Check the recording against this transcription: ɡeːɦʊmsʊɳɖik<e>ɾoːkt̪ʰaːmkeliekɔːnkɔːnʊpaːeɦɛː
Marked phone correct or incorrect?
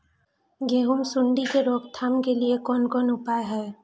correct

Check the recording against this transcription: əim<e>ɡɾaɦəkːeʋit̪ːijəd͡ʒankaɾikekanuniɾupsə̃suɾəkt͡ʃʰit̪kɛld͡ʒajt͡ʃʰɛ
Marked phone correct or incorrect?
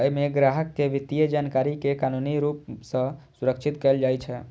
correct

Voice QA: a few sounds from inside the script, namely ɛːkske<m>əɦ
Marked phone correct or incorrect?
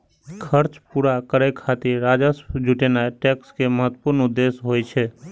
correct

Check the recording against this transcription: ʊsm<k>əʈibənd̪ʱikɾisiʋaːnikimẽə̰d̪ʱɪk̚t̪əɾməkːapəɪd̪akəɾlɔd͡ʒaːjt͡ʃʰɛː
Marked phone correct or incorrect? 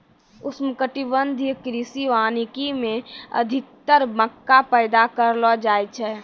correct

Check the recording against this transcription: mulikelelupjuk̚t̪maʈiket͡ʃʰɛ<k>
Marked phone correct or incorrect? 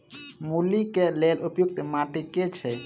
incorrect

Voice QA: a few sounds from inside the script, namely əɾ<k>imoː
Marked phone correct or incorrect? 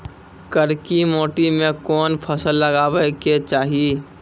correct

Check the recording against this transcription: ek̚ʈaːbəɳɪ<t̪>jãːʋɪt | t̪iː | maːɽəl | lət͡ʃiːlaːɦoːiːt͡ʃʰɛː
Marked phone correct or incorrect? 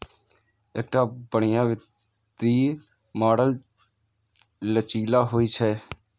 incorrect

